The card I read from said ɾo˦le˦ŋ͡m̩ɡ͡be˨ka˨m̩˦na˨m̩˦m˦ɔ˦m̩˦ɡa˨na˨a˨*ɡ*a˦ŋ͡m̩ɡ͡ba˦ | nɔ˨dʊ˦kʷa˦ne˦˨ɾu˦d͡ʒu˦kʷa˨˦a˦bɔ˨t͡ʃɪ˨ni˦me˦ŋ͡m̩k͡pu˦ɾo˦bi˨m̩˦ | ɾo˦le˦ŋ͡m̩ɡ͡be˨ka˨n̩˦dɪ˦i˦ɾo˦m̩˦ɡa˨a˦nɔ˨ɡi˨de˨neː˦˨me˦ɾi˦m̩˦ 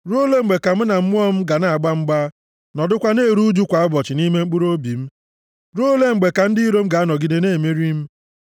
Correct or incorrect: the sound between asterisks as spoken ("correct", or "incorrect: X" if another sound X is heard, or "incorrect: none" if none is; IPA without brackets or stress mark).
incorrect: ɡ͡b